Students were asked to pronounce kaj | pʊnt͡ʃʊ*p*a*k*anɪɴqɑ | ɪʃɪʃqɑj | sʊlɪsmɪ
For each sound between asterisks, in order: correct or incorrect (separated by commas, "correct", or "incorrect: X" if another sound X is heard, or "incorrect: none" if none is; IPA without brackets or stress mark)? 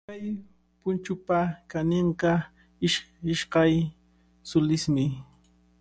correct, correct